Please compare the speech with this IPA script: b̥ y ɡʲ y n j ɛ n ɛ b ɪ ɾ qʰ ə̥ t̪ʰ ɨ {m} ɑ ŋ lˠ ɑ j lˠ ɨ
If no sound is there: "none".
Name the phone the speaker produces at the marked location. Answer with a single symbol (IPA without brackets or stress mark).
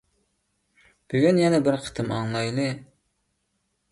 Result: m